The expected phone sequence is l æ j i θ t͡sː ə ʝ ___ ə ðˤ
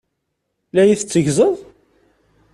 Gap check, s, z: z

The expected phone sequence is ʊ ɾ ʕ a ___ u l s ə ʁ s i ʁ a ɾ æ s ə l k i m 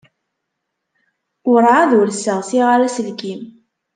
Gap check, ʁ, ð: ð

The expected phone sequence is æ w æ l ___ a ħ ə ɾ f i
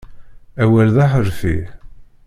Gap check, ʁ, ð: ð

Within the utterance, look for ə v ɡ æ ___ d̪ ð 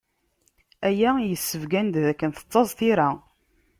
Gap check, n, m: n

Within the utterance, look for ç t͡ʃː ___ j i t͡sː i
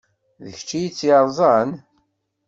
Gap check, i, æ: i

